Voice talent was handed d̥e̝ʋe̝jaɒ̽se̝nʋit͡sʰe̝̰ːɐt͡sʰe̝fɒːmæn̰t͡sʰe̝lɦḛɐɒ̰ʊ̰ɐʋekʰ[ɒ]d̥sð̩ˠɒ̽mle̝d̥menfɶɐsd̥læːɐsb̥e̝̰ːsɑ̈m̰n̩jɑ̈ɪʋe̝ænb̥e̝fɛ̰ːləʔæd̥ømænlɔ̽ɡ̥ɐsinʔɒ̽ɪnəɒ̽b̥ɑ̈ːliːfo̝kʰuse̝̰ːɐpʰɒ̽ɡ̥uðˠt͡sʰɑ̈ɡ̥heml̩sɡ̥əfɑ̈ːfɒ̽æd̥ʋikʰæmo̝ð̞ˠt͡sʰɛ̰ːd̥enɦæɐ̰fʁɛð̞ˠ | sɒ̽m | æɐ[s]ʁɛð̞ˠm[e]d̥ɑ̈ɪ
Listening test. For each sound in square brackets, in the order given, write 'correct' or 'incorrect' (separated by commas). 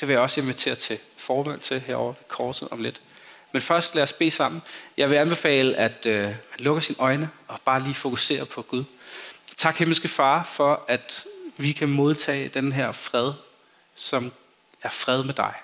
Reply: incorrect, incorrect, correct